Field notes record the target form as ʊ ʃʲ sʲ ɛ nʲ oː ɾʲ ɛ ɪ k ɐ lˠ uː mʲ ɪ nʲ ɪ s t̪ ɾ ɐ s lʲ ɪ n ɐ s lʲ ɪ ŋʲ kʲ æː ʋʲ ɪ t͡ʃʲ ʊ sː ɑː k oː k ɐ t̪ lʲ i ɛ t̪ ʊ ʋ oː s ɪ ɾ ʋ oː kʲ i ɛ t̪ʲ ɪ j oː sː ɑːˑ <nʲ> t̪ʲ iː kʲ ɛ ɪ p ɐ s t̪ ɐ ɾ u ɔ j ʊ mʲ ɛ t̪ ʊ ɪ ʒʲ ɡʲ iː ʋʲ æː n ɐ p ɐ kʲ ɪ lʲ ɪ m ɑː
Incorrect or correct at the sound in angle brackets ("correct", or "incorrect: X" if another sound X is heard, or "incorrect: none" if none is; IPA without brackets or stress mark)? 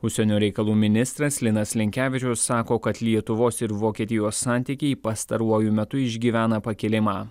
correct